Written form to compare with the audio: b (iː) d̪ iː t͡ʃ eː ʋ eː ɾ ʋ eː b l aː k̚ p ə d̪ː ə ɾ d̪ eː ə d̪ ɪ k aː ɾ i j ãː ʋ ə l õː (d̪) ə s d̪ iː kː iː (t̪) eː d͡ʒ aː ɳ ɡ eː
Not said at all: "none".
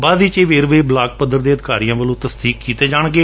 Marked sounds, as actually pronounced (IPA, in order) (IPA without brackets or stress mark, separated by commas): aː, t̪, t̪